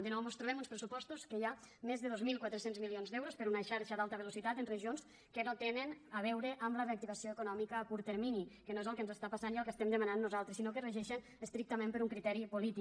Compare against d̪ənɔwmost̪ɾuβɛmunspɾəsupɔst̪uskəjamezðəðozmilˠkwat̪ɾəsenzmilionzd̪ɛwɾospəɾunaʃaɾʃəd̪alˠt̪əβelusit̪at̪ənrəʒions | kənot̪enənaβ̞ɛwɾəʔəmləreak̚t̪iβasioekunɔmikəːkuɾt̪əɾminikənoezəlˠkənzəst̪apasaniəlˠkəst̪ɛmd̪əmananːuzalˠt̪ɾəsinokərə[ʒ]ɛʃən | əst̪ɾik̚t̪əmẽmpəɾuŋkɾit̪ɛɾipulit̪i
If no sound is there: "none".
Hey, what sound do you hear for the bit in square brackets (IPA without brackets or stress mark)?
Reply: ʒ